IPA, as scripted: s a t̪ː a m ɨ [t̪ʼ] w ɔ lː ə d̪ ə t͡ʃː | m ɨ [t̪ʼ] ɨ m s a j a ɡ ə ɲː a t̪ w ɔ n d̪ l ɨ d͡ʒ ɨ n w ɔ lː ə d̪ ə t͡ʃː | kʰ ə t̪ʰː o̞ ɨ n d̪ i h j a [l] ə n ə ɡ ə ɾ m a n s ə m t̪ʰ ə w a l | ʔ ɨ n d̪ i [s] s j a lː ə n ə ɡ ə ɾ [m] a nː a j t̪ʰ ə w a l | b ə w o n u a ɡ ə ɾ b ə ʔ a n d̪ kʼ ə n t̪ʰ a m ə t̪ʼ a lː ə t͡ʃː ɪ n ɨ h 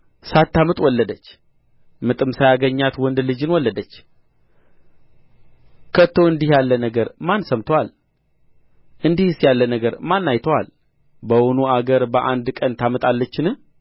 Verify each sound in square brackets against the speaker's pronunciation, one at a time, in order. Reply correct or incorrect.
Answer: correct, correct, incorrect, incorrect, correct

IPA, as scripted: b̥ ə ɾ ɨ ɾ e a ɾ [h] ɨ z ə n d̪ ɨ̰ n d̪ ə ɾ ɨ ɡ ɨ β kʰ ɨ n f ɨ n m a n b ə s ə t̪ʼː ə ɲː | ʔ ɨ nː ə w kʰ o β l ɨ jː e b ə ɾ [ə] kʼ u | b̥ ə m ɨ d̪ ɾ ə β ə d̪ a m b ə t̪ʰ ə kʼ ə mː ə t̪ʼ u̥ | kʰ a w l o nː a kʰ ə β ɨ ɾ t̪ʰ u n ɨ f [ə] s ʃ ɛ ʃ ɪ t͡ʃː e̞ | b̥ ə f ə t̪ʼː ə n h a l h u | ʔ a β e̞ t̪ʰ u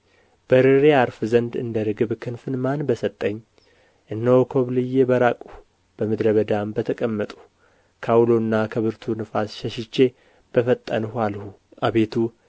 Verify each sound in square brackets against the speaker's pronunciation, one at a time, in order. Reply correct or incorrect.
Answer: incorrect, incorrect, incorrect

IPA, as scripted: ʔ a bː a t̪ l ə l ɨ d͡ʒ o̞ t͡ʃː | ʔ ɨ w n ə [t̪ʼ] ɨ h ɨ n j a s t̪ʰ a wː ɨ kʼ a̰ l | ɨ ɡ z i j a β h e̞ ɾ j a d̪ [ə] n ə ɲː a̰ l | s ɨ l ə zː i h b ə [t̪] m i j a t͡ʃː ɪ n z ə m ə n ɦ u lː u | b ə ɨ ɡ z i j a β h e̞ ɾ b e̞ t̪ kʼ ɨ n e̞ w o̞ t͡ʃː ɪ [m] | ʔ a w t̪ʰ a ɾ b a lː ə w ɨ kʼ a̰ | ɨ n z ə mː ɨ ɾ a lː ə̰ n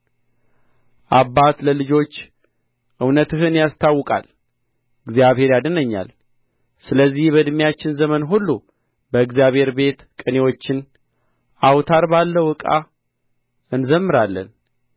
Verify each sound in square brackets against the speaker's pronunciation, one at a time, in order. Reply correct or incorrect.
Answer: incorrect, correct, incorrect, incorrect

